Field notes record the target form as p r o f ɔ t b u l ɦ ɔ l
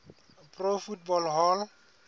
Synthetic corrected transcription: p r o f u t b ɔ l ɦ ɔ l